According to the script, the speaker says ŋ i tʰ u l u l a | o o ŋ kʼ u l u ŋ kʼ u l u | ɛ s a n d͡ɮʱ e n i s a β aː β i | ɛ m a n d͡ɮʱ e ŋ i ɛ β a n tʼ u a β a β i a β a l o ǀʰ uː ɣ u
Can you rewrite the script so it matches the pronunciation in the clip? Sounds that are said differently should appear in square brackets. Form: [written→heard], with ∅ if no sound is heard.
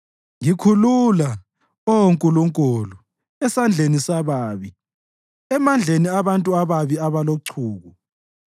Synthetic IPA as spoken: ŋ i [tʰ→kʰ] u l u l a | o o ŋ kʼ u l u ŋ kʼ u l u | ɛ s a n d͡ɮʱ e n i s a β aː β i | ɛ m a n d͡ɮʱ e [ŋ→n] i [ɛ→a] β a n tʼ u a β a β i a β a l o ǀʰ uː ɣ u